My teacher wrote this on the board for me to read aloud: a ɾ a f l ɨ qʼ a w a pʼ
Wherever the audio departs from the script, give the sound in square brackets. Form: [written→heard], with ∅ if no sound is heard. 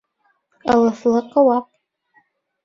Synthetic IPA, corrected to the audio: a [ɾ→l] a f l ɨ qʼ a w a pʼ